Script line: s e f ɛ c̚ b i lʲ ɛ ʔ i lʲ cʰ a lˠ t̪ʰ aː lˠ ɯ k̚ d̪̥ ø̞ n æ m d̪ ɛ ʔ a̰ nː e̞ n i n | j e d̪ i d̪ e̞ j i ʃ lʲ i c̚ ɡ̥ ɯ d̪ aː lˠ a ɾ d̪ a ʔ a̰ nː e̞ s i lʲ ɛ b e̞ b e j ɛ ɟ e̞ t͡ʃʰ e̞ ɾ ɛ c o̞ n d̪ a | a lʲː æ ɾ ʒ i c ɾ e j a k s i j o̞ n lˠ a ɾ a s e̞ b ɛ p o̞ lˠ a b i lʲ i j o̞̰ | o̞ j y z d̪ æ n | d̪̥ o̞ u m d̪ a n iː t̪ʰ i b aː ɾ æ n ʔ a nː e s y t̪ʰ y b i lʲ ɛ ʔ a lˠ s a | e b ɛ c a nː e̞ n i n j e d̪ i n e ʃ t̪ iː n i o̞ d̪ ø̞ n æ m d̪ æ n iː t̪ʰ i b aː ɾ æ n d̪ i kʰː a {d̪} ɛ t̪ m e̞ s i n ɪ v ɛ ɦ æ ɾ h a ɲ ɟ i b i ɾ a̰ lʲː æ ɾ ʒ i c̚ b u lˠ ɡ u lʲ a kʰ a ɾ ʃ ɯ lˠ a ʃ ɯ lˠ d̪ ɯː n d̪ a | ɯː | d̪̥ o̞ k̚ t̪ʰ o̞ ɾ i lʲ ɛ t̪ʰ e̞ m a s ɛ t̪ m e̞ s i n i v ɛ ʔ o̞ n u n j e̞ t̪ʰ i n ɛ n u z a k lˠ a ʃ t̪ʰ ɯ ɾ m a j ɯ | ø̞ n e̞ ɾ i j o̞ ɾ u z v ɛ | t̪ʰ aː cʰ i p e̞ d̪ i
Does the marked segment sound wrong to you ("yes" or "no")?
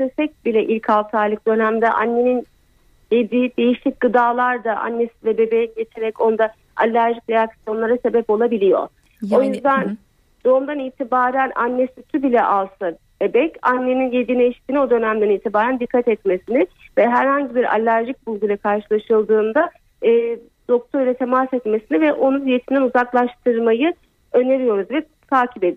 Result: yes